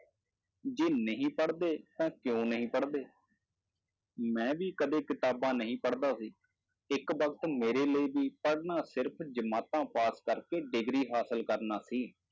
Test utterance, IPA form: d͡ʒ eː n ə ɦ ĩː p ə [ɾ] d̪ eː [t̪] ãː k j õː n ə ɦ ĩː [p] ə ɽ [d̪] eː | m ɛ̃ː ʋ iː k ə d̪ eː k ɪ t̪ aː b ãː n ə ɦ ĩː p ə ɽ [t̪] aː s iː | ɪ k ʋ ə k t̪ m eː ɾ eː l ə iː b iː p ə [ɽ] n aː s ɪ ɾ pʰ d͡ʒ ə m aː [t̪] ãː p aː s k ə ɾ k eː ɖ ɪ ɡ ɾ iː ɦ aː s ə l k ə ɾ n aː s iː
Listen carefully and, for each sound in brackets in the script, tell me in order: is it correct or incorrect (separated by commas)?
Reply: incorrect, correct, correct, correct, incorrect, correct, correct